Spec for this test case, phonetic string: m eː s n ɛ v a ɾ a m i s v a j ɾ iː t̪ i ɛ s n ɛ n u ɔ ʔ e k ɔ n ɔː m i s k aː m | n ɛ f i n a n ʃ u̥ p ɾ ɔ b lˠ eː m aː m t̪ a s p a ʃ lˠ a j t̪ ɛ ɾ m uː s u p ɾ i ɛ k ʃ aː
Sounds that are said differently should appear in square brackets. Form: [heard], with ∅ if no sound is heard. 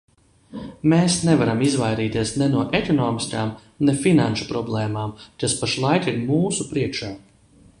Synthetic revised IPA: m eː s n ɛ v a ɾ a m i [z] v a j ɾ iː t̪ i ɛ s n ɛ n u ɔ ʔ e k ɔ n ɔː m i s k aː m | n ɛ f i n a n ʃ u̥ p ɾ ɔ b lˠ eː m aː m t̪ a s p a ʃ lˠ a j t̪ [i] ɾ m uː s u p ɾ i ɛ k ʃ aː